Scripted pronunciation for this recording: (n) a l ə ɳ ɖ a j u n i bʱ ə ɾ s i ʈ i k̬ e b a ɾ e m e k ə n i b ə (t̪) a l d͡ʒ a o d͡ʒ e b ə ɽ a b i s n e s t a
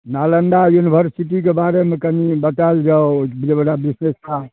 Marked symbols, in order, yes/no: yes, yes

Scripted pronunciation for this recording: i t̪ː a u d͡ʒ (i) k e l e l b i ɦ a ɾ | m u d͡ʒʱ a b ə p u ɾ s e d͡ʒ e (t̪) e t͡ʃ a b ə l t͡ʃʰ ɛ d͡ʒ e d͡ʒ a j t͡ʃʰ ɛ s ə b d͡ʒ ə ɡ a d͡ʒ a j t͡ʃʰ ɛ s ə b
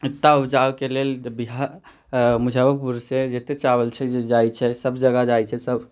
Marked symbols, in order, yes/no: no, yes

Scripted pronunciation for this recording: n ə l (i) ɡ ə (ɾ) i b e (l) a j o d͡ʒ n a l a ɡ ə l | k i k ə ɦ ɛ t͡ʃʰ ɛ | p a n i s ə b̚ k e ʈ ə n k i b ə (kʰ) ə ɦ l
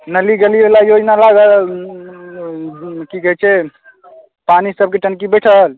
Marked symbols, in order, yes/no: yes, no, yes, no

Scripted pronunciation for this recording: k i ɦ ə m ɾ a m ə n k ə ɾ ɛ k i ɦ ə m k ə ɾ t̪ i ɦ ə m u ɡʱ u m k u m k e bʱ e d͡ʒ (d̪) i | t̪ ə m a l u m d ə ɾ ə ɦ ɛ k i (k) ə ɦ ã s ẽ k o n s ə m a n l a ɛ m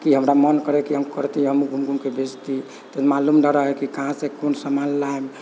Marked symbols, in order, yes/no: no, yes

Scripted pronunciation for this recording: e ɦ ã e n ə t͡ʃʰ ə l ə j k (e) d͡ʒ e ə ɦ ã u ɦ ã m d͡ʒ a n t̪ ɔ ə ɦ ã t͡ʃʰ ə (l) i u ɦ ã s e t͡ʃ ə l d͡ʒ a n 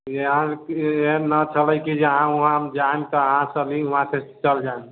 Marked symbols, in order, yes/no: no, yes

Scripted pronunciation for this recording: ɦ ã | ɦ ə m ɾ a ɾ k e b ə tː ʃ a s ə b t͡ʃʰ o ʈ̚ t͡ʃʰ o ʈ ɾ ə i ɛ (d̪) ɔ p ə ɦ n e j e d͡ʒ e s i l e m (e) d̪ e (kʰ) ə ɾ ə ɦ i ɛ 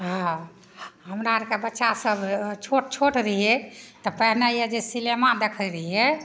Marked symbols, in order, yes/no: no, no, yes

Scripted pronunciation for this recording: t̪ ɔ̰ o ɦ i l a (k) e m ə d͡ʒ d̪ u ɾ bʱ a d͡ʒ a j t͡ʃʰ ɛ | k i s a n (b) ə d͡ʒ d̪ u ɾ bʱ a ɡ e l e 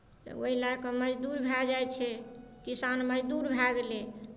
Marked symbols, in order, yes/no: yes, no

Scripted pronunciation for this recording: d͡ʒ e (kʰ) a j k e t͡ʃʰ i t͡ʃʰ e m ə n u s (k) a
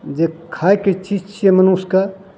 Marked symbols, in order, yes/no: yes, yes

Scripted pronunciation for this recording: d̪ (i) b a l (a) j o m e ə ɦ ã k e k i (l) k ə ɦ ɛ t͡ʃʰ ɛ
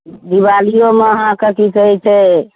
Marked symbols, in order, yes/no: yes, no, no

